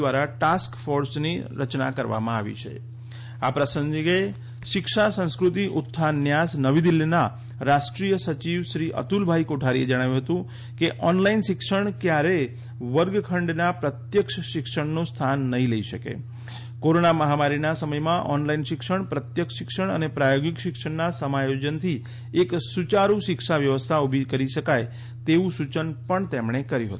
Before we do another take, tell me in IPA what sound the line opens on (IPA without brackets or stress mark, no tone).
ʋ